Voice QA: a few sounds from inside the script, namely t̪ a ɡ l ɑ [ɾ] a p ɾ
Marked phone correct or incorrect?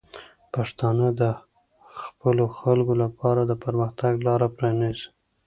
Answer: correct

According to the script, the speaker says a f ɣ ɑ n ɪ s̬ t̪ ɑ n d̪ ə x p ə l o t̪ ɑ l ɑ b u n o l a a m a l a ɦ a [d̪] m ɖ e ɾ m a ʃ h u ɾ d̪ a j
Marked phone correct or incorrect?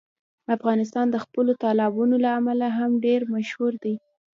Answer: incorrect: none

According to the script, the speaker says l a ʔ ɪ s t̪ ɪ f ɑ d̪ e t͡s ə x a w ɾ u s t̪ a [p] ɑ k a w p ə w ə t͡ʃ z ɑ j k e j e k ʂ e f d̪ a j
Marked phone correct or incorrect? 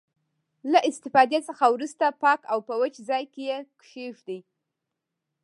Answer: correct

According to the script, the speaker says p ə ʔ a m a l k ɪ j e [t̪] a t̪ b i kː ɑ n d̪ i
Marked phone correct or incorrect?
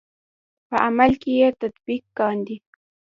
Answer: correct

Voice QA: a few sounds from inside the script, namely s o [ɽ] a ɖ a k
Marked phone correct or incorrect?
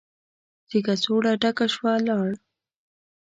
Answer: correct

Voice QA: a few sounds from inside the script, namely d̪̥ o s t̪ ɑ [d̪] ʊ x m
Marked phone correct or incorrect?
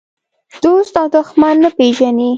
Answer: correct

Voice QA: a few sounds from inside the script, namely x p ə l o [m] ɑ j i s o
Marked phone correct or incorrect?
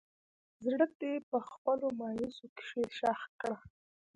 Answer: correct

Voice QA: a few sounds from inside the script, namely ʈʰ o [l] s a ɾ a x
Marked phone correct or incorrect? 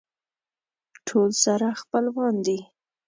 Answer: correct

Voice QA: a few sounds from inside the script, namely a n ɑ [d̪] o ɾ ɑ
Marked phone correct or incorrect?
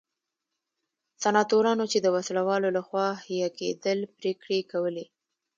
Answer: incorrect: t̪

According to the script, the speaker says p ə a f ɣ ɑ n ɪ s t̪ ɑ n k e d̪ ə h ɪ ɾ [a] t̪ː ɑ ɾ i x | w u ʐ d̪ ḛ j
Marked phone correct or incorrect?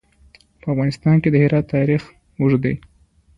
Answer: incorrect: ɑ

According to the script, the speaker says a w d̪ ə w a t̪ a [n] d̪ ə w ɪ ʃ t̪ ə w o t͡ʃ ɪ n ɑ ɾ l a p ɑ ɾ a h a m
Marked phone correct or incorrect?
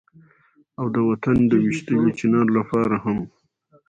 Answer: correct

